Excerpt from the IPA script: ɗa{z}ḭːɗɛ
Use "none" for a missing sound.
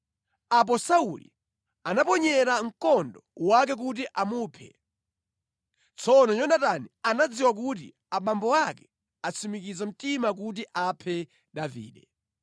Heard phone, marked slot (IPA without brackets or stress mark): v